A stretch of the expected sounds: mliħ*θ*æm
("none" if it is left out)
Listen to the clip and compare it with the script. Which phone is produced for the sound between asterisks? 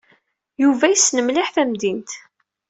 θ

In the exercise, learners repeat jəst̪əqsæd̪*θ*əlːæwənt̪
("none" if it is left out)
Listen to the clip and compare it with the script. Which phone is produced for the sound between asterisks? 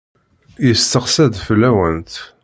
f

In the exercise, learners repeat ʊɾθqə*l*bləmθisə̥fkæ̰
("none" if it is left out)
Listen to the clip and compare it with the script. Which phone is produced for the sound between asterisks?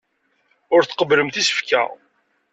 none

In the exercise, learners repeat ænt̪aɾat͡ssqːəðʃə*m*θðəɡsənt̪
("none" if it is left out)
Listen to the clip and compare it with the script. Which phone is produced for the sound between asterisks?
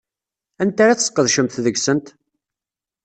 m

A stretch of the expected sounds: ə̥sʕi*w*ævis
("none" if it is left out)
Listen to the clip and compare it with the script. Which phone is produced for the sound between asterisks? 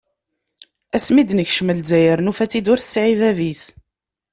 v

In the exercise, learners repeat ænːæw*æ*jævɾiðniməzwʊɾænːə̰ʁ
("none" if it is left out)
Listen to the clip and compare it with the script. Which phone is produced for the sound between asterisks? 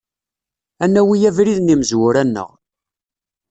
i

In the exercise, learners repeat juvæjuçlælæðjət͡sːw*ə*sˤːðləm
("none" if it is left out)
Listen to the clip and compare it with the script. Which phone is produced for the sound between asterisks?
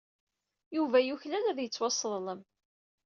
ɑ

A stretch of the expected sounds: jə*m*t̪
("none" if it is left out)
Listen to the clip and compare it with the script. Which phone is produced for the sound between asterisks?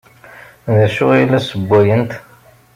n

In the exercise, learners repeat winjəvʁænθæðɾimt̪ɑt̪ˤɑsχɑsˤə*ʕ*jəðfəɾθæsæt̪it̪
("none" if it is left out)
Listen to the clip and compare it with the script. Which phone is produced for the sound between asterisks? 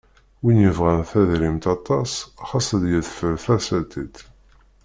ð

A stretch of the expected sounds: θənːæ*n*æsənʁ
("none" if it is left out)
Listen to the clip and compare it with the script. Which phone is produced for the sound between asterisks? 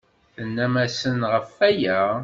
m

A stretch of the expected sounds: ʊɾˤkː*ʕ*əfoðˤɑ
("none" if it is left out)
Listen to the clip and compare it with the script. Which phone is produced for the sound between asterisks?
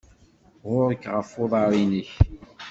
ʁ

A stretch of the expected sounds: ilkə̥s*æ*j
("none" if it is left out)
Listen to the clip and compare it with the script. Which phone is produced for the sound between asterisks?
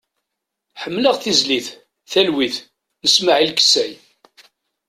æ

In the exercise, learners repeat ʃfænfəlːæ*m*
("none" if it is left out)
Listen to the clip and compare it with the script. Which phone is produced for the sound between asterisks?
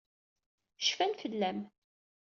m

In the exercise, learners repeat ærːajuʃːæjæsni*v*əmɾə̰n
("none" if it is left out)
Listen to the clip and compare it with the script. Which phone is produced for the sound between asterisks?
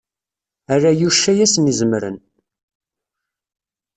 z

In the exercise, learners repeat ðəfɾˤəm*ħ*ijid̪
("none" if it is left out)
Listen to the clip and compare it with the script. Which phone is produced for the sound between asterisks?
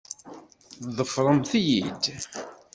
θ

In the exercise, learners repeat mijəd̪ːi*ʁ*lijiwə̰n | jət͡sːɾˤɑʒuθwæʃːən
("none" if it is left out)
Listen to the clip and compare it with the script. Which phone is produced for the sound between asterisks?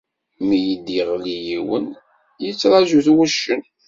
ʁ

